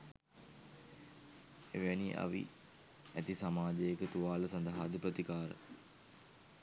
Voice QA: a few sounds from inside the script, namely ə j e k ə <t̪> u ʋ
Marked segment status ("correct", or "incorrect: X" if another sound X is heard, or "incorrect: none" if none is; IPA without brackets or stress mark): correct